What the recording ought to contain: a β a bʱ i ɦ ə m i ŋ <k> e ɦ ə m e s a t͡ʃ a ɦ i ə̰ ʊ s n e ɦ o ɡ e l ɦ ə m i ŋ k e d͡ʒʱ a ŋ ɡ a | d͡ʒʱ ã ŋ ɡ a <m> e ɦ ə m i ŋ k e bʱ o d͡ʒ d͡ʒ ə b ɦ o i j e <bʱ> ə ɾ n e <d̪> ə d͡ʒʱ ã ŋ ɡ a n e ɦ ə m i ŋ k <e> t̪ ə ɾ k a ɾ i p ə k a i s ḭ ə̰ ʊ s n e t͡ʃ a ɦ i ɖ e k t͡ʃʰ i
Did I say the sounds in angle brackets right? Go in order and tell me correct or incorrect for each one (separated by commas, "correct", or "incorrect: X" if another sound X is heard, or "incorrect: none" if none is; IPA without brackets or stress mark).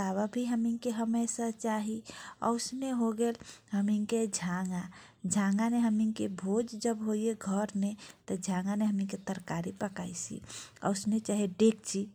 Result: correct, incorrect: n, incorrect: ɡʱ, incorrect: t̪, correct